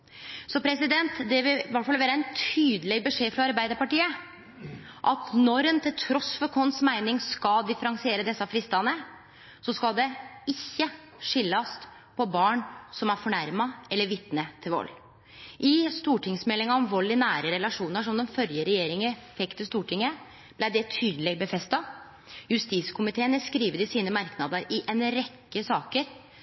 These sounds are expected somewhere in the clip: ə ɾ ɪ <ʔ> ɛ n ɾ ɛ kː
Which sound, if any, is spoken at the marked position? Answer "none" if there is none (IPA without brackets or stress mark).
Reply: ʔ